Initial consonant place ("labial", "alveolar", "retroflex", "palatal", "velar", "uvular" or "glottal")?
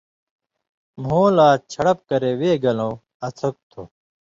labial